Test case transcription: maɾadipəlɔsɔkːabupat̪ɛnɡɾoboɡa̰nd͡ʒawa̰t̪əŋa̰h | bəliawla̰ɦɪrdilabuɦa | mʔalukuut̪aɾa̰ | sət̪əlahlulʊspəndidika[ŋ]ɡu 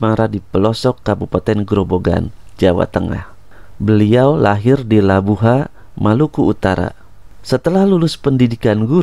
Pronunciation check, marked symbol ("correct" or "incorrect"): incorrect